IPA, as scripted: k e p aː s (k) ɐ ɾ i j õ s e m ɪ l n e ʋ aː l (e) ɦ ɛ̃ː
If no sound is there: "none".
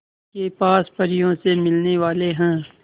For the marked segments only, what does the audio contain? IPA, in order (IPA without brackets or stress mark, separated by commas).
p, e